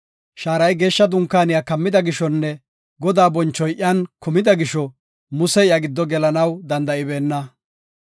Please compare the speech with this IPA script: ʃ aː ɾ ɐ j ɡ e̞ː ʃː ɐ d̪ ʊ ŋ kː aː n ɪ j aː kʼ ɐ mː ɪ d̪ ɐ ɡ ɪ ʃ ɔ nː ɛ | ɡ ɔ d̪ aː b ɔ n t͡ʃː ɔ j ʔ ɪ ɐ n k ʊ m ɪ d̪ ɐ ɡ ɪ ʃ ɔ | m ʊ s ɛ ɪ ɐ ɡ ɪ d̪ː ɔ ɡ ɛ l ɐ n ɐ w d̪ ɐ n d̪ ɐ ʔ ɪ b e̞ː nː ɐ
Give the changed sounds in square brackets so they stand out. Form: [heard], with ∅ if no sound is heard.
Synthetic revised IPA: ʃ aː ɾ ɐ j ɡ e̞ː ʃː ɐ d̪ ʊ ŋ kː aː n ɪ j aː [k] ɐ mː ɪ d̪ ɐ ɡ ɪ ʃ ɔ nː ɛ | ɡ ɔ d̪ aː b ɔ n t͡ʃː ɔ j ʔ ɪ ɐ n k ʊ m ɪ d̪ ɐ ɡ ɪ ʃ ɔ | m ʊ s ɛ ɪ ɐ ɡ ɪ d̪ː ɔ ɡ ɛ l ɐ n ɐ w d̪ ɐ n d̪ ɐ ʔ ɪ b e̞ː nː ɐ